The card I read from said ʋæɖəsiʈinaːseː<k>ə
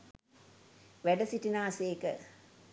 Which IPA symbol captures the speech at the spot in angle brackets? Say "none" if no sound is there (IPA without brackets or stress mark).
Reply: k